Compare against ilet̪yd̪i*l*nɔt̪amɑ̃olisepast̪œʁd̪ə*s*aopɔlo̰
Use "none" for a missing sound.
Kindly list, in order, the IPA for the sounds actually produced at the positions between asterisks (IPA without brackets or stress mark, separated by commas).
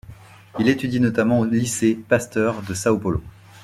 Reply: none, s